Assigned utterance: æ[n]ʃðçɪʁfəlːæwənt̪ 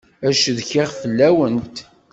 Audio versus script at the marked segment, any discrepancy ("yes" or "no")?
yes